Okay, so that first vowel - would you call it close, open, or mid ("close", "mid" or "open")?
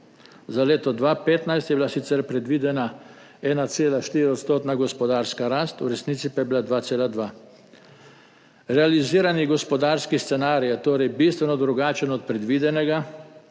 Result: open